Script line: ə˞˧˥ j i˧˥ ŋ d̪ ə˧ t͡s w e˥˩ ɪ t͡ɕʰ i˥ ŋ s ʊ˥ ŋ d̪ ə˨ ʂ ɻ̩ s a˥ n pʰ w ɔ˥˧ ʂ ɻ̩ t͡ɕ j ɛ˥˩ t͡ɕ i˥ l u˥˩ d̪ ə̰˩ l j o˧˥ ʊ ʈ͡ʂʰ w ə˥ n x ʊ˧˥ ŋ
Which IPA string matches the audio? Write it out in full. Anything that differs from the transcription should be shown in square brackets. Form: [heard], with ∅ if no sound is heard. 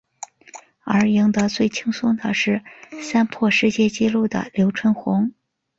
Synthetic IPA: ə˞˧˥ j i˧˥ ŋ d̪ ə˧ t͡s w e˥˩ ɪ t͡ɕʰ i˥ ŋ s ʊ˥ ŋ d̪ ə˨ ʂ ɻ̩ s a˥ n pʰ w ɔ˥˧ ʂ ɻ̩ t͡ɕ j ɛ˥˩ t͡ɕ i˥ l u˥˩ d̪ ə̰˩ l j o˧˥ ʊ ʈ͡ʂʰ w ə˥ n x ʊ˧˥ ŋ